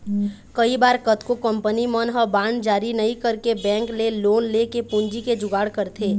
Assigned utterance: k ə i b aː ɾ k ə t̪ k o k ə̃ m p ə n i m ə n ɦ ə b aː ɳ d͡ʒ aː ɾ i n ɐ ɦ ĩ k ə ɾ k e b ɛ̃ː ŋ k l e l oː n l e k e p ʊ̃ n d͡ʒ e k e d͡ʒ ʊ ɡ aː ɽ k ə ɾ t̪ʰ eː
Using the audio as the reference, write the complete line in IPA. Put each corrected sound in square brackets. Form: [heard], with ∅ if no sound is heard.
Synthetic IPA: k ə i b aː ɾ k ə t̪ k o k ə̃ m p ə n i m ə n ɦ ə b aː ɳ d͡ʒ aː ɾ i n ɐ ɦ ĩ k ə ɾ k e b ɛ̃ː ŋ k l e l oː n l e k e p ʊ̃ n d͡ʒ [i] k e d͡ʒ ʊ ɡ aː ɽ k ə ɾ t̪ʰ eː